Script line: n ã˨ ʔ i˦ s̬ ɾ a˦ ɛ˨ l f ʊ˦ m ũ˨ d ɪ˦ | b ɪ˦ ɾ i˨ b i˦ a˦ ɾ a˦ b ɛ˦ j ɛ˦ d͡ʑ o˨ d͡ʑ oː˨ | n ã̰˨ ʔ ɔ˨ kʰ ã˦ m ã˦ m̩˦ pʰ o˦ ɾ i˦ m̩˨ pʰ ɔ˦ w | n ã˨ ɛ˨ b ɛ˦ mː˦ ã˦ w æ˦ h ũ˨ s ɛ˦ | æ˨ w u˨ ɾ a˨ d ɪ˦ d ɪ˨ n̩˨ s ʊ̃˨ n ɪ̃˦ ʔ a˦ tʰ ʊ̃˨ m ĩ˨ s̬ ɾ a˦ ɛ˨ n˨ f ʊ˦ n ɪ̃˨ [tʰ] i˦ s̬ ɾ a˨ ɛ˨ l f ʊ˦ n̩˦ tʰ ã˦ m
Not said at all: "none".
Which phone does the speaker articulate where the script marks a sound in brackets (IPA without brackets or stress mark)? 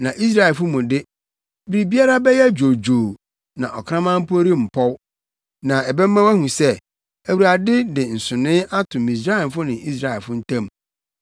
none